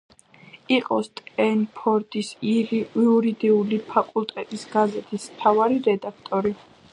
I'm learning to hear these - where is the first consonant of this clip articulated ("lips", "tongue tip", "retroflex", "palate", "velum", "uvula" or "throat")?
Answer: uvula